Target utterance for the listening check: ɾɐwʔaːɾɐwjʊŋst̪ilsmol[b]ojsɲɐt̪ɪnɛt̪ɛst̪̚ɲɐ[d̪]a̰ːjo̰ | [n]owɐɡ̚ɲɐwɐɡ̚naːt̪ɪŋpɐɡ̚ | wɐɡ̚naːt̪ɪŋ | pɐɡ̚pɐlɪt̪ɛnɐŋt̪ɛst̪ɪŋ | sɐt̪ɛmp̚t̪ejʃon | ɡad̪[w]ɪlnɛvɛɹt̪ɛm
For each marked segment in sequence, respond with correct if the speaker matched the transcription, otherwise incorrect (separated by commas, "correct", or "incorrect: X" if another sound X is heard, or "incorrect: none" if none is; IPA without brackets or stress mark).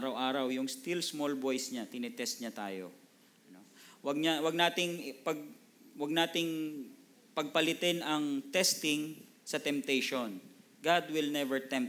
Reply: correct, incorrect: t̪, correct, correct